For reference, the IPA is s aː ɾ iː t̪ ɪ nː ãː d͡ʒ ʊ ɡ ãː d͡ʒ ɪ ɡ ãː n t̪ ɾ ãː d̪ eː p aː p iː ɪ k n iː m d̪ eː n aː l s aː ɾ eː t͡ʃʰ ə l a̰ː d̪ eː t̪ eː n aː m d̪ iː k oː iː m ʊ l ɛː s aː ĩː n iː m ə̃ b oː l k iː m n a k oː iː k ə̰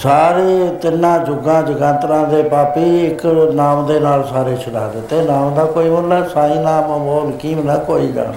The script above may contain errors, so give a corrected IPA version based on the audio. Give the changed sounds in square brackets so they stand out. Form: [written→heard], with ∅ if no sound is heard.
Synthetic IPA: s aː ɾ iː t̪ ɪ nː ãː d͡ʒ ʊ ɡ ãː d͡ʒ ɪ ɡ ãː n t̪ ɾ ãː d̪ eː p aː p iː ɪ k n [iː→aː] m d̪ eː n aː l s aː ɾ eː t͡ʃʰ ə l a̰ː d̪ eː t̪ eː n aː m d̪ [iː→aː] k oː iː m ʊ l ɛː s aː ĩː n [iː→aː] m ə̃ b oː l k iː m n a k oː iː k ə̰